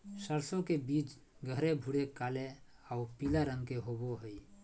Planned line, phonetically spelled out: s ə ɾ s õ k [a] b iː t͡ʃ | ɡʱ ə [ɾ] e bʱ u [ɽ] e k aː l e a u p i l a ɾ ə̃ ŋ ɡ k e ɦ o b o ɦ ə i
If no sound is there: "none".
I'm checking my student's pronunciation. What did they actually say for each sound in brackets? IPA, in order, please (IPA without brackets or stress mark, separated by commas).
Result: e, ɾ, ɽ